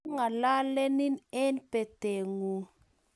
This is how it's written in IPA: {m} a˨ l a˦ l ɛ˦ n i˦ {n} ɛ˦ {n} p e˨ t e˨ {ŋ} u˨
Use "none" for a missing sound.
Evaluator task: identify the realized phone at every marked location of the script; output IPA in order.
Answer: ŋ, n, n, ŋ

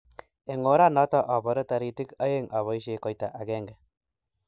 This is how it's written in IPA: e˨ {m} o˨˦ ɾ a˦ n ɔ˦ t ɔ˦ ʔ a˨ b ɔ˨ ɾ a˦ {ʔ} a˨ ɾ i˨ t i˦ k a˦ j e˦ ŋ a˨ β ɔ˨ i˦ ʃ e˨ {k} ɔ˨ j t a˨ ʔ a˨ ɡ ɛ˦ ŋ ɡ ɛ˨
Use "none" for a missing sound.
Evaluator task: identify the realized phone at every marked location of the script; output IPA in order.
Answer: ŋ, t, k

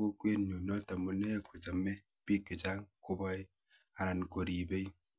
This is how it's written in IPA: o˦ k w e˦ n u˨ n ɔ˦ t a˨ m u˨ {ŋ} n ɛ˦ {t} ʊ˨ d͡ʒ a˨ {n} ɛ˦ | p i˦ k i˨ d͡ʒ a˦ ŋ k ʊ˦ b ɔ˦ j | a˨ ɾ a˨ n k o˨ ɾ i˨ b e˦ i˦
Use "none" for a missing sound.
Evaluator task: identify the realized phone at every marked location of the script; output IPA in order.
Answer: none, k, m

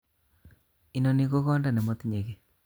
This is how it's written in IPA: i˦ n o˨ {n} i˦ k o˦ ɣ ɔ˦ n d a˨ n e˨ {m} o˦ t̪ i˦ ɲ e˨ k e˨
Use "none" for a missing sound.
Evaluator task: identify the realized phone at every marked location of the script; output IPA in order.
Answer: n, m

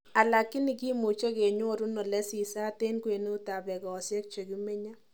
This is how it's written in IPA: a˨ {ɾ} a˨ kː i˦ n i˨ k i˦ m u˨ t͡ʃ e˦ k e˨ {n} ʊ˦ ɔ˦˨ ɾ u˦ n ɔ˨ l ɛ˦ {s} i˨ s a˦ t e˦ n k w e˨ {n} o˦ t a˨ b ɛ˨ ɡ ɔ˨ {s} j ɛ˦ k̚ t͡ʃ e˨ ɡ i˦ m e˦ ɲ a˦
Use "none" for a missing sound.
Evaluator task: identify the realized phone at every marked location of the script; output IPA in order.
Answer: l, ɲ, s, n, s

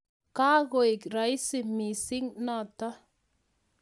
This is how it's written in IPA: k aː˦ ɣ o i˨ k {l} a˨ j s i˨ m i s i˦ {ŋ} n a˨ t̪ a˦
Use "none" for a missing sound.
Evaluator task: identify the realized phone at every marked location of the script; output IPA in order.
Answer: ɾ, ŋ

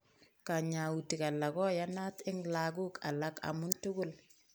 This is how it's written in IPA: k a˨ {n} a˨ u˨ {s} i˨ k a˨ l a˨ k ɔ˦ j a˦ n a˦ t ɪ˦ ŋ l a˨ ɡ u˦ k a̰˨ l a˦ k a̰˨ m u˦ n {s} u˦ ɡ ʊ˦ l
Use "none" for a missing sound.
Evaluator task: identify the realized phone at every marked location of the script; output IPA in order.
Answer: ɲ, t, t

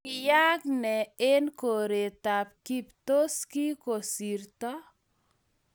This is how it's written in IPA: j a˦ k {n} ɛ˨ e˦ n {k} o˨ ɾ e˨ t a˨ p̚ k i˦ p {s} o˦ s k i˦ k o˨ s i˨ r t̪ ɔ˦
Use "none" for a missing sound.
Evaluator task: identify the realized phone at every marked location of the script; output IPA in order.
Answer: n, k, t

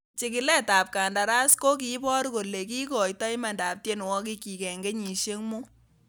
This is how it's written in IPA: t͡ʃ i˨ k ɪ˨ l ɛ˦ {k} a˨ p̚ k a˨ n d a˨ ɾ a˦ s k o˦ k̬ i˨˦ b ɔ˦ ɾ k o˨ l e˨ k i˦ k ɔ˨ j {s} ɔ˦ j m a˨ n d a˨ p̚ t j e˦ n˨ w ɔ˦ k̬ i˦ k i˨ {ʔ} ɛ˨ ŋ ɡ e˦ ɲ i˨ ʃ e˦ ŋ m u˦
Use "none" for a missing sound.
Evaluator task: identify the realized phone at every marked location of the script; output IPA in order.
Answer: t, t, k

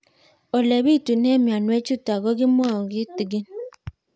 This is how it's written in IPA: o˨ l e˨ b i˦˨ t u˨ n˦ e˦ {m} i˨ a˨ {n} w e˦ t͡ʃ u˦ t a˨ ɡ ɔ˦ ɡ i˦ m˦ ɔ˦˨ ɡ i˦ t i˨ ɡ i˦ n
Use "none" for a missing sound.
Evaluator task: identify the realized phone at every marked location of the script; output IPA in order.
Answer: m, n

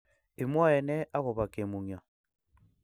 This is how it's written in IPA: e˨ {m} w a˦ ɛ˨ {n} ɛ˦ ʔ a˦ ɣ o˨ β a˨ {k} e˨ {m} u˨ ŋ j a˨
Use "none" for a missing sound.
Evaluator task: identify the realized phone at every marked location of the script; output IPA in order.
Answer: m, n, k, m

